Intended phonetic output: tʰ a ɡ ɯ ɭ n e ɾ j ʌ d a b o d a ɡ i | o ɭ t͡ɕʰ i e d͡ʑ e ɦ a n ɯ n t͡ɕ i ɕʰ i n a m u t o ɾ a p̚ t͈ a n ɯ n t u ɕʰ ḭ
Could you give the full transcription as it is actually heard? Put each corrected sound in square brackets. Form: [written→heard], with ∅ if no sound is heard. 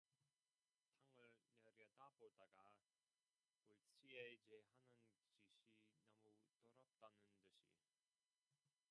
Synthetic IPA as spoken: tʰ a [ɡ→ŋ] ɯ ɭ n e ɾ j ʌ d a b o d a ɡ [i→a] | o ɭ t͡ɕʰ i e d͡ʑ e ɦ a n ɯ n t͡ɕ i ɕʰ i n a m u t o ɾ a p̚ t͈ a n ɯ n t [u→ɯ] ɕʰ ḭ